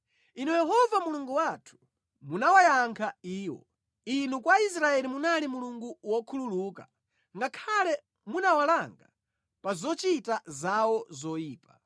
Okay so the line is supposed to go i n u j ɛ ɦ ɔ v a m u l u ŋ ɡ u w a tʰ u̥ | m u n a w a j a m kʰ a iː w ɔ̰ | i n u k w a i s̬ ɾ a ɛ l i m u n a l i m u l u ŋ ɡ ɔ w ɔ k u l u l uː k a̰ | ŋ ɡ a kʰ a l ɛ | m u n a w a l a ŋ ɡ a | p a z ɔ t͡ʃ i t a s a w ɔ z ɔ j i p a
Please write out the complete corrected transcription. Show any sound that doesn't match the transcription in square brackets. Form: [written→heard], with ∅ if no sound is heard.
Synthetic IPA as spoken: i n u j ɛ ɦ ɔ v a m u l u ŋ ɡ u w a tʰ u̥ | m u n a w a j a [m→ŋ] kʰ a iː w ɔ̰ | i n u k w a i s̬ ɾ a ɛ l i m u n a l i m u l u ŋ ɡ [ɔ→u] w ɔ [k→kʰ] u l u l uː k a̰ | ŋ ɡ a kʰ a l ɛ | m u n a w a l a ŋ ɡ a | p a z ɔ t͡ʃ i t a [s→z] a w ɔ z ɔ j [i→iː] p a